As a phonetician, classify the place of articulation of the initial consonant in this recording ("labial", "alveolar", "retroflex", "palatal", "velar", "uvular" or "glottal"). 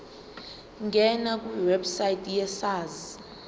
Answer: velar